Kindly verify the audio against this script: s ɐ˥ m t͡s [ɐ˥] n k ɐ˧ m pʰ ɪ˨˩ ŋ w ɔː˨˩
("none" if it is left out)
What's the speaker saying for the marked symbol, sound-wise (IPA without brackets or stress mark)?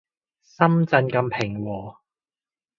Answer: ɐ˧